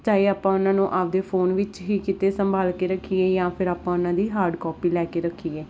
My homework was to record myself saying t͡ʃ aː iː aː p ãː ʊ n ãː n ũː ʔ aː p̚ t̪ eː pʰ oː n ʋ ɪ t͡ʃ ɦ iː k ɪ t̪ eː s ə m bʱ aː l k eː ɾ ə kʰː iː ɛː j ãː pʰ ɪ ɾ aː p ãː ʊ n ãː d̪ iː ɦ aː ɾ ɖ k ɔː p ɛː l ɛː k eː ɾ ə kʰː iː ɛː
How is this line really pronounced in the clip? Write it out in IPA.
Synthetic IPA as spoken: t͡ʃ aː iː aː p ãː ʊ n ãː n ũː ʔ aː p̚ d̪ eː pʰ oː n ʋ ɪ t͡ʃ ɦ iː k ɪ t̪ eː s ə m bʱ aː l k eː ɾ ə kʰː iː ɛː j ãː pʰ ɪ ɾ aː p ãː ʊ n ãː d̪ iː ɦ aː ɾ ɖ k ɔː p iː l ɛː k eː ɾ ə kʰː iː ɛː